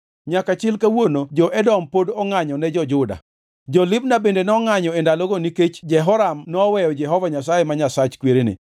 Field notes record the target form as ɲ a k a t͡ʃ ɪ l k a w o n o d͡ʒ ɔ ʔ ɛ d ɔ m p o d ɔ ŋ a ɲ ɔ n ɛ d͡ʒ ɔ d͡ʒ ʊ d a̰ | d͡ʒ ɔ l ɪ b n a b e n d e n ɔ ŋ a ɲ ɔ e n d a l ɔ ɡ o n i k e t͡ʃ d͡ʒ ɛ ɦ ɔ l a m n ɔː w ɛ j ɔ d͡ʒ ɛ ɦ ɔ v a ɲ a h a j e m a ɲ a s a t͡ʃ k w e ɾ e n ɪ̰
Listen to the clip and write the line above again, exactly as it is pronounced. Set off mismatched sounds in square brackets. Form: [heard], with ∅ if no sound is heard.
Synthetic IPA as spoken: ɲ a k a t͡ʃ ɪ l k a w o n o d͡ʒ ɔ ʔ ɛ d ɔ m p o d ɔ ŋ a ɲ ɔ n ɛ d͡ʒ ɔ d͡ʒ ʊ d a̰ | d͡ʒ ɔ l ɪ b n a b e n d e n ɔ ŋ a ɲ ɔ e n d a l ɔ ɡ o n i k e t͡ʃ d͡ʒ ɛ ɦ ɔ [ɾ] a m n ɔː w ɛ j ɔ d͡ʒ ɛ ɦ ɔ v a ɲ a [s] a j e m a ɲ a s a t͡ʃ k w e ɾ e n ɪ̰